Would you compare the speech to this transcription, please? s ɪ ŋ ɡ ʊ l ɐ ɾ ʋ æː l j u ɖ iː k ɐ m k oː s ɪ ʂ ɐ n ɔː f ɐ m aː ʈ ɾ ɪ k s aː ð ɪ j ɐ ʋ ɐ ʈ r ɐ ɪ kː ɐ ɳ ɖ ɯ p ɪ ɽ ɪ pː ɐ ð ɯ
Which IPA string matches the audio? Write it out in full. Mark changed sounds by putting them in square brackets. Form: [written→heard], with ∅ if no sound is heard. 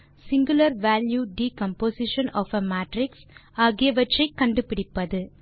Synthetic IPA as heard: s ɪ ŋ ɡ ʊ l ɐ ɾ ʋ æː l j u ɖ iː k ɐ m [k→p] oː s ɪ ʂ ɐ n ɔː f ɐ m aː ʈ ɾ ɪ k s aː [ð→ɣ] ɪ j ɐ ʋ ɐ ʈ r ɐ ɪ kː ɐ ɳ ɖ ɯ p ɪ ɽ ɪ pː ɐ ð ɯ